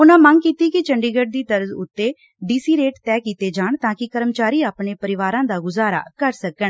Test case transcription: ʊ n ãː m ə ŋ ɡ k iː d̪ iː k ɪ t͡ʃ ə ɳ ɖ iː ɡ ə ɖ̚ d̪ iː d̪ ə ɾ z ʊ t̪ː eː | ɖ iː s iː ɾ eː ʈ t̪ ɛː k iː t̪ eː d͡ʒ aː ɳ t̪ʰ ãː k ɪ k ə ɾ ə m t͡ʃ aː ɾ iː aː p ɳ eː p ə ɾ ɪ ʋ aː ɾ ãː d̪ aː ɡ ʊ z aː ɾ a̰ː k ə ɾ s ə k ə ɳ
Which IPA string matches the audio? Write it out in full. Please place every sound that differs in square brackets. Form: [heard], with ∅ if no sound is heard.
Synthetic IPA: ʊ n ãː m ə ŋ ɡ k iː [t̪] iː k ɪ t͡ʃ ə ɳ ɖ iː ɡ ə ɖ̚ d̪ iː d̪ ə ɾ z ʊ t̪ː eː | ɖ iː s iː ɾ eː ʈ t̪ ɛː k iː t̪ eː d͡ʒ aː ɳ [t̪] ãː k ɪ k ə ɾ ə m t͡ʃ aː ɾ iː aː p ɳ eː p ə ɾ ɪ ʋ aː ɾ ãː d̪ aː ɡ ʊ z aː ɾ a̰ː k ə ɾ s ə k ə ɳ